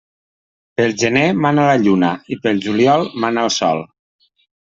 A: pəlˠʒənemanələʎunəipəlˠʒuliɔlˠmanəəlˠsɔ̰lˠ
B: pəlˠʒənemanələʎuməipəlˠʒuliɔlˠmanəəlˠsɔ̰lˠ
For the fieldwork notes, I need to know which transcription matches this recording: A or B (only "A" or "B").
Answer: A